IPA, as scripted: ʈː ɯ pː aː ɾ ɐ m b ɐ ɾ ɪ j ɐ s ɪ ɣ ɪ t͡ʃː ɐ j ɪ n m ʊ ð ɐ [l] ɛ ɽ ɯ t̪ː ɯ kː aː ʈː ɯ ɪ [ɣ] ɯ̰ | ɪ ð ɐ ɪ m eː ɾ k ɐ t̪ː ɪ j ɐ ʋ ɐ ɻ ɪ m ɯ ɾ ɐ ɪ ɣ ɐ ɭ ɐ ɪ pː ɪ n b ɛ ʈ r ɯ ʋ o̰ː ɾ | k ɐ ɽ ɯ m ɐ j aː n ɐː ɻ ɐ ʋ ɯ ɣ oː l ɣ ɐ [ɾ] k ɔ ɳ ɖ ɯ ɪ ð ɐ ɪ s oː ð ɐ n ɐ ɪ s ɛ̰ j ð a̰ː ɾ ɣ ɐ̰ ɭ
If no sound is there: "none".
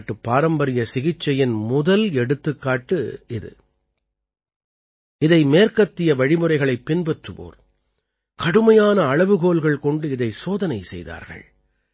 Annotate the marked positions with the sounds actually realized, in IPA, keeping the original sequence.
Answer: l, ð, ɭ

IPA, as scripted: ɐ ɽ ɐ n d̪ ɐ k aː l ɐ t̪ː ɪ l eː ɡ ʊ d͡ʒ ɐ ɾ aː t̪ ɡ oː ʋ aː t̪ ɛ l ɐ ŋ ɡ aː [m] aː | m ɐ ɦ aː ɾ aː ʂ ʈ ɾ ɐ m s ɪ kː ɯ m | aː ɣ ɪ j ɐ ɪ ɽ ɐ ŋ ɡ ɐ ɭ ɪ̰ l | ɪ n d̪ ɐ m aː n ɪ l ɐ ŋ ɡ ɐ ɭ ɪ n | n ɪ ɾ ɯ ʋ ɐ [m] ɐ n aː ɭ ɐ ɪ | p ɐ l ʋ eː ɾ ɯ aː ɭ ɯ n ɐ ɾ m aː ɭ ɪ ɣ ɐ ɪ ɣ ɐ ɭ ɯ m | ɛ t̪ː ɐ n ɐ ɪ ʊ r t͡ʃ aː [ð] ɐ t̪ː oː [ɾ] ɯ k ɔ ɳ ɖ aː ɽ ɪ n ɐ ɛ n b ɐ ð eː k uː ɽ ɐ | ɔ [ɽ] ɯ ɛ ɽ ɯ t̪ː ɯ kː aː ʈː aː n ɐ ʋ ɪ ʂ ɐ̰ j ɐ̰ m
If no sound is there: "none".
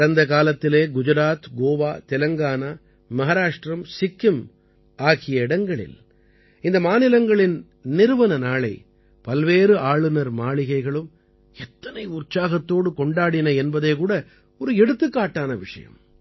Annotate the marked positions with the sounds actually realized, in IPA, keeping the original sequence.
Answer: n, n, ɣ, ɽ, ɾ

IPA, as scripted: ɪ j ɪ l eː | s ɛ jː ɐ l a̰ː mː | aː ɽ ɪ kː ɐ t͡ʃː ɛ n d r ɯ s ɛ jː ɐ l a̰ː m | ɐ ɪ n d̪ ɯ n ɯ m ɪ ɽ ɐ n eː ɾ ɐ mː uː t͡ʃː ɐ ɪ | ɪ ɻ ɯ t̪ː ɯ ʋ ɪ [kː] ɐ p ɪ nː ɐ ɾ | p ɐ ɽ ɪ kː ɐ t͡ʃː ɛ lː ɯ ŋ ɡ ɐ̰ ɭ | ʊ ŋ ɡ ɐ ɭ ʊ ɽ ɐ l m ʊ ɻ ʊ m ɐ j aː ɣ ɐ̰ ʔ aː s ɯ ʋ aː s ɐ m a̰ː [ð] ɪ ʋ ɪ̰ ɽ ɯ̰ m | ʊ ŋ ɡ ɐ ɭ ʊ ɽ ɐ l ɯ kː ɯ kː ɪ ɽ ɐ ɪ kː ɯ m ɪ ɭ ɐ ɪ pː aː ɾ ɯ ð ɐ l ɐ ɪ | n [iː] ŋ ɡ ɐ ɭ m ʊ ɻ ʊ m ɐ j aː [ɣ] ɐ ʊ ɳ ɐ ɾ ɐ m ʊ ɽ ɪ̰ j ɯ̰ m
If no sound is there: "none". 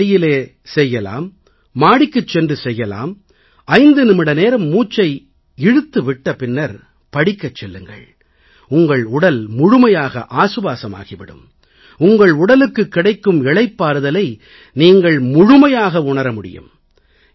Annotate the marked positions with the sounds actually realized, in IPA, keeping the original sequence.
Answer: ʈː, ɣ, iː, ɣ

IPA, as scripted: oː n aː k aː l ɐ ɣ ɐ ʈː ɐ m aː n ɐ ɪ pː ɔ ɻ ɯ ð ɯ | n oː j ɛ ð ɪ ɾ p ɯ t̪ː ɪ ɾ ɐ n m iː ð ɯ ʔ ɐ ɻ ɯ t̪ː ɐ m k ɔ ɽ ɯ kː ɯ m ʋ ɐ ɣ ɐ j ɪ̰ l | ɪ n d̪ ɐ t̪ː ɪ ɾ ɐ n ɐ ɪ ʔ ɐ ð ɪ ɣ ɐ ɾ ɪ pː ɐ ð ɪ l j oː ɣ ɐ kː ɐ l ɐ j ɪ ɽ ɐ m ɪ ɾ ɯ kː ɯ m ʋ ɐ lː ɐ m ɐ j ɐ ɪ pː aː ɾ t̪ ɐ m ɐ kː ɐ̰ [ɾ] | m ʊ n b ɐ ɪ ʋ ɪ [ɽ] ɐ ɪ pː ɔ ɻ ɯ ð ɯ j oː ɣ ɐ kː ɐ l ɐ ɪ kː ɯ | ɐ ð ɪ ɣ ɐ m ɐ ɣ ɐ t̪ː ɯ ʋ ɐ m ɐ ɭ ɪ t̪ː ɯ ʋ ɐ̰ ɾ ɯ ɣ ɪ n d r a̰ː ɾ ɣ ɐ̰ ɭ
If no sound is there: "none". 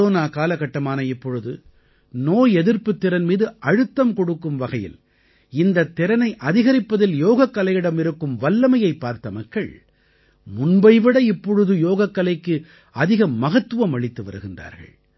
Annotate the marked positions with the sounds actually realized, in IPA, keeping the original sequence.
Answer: ɭ, ɽ

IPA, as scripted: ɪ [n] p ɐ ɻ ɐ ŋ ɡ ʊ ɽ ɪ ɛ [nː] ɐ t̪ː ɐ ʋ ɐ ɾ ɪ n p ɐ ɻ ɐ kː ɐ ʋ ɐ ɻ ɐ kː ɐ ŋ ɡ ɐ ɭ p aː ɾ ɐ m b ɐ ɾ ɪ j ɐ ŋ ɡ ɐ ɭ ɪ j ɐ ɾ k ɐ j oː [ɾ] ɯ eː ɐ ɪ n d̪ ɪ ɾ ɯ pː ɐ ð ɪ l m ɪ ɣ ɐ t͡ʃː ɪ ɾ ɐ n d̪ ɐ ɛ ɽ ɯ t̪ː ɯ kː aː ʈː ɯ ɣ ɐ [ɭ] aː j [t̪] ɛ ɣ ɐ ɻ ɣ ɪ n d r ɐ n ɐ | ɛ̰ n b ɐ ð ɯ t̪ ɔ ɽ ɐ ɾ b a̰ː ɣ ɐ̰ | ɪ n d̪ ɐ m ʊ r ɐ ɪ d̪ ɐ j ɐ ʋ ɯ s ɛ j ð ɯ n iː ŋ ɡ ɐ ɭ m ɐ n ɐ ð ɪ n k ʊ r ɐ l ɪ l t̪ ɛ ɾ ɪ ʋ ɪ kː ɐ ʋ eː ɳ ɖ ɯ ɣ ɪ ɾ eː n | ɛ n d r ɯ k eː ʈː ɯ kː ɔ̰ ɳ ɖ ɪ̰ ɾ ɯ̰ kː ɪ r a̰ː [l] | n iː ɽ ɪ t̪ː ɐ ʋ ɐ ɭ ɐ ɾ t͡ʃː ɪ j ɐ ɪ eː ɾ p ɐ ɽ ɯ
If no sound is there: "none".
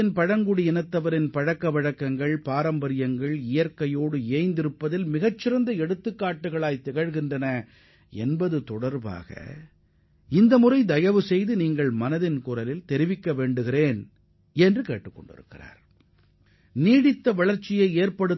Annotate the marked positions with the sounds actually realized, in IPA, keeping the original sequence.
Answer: n, n, ɽ, ɭ, t̪, ɾ

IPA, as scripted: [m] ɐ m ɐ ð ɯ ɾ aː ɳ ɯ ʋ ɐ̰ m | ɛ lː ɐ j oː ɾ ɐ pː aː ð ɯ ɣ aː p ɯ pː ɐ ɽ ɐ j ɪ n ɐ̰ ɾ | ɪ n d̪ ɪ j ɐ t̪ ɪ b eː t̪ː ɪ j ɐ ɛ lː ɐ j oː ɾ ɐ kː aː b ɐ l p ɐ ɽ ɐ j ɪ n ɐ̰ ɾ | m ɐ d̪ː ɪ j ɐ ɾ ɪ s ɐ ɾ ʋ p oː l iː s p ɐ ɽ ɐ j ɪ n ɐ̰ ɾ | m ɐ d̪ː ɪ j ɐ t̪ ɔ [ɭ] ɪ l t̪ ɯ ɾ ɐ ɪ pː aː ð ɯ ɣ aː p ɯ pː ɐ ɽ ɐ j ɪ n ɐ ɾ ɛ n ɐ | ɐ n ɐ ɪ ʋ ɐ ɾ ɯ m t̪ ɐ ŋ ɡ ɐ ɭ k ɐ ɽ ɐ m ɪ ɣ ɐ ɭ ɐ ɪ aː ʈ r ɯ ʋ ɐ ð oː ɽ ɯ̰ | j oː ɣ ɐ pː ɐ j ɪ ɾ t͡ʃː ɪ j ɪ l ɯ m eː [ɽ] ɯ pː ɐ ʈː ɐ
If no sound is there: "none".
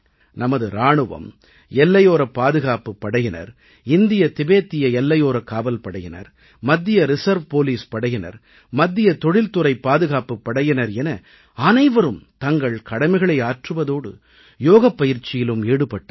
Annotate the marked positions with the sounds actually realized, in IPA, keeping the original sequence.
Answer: n, ɽ, ɽ

